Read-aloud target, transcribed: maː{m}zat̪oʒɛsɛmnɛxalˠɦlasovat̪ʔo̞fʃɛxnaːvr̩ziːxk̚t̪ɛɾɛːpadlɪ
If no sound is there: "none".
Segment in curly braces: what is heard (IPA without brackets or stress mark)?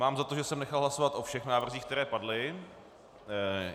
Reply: m